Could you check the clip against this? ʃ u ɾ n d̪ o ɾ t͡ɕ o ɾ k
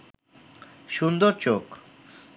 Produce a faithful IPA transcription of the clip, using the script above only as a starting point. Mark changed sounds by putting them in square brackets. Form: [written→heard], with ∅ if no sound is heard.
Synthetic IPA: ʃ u [ɾ→∅] n d̪ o ɾ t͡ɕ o [ɾ→∅] k